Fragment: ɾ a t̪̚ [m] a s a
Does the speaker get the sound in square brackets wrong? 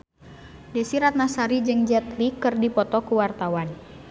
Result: yes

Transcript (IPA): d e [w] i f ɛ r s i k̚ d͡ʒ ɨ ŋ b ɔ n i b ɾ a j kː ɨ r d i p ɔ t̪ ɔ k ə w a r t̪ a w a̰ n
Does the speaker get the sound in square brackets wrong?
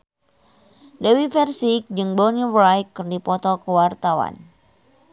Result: no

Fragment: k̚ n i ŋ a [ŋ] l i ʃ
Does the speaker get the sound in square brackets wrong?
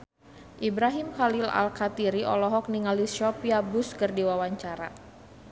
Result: yes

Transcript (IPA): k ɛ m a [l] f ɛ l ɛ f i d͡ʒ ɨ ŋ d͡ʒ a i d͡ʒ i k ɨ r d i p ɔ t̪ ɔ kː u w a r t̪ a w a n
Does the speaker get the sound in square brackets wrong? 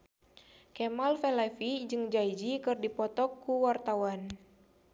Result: no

